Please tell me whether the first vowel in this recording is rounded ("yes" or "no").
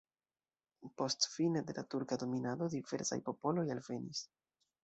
yes